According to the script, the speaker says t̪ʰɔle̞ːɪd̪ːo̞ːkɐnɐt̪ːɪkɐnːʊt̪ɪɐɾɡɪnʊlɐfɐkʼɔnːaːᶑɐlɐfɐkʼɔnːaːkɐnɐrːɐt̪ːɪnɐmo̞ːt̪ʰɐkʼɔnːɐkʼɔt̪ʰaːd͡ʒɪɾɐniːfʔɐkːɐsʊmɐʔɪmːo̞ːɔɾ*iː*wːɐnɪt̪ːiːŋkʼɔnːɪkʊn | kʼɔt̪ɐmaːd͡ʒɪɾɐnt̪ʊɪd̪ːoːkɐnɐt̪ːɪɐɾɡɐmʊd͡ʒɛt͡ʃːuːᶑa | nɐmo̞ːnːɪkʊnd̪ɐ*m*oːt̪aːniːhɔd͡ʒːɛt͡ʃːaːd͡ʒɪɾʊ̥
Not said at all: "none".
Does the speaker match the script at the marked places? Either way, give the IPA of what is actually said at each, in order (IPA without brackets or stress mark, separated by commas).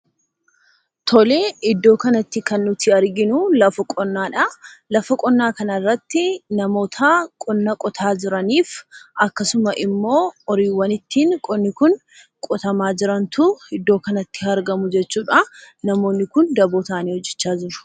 iː, b